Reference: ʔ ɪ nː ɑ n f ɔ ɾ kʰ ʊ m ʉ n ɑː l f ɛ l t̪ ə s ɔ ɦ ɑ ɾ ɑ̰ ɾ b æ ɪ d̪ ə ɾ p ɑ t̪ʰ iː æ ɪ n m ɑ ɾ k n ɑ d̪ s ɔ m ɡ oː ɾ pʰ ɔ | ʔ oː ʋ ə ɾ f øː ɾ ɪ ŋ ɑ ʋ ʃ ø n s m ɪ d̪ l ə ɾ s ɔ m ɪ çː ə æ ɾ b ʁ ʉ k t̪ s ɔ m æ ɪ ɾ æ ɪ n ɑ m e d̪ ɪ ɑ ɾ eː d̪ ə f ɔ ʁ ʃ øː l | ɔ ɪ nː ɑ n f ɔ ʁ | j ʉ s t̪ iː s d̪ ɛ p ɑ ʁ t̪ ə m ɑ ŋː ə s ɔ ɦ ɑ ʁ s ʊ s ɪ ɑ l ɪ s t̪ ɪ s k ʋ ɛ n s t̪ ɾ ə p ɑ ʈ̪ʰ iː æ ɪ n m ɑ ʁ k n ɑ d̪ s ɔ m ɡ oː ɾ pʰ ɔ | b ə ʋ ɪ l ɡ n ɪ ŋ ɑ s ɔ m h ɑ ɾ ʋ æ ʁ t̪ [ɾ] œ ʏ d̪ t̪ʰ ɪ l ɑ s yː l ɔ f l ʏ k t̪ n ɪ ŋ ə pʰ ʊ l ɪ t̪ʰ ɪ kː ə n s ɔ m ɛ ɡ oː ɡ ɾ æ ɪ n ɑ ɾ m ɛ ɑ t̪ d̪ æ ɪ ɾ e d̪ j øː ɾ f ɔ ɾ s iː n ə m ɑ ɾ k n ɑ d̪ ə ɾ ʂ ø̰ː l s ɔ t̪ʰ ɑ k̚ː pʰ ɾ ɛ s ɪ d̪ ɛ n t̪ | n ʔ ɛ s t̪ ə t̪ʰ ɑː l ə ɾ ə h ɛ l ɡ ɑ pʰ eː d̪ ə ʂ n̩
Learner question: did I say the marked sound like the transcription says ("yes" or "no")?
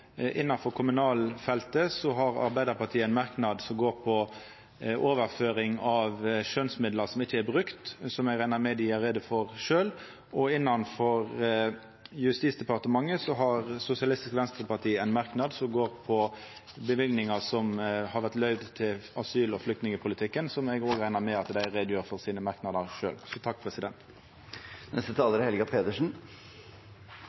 no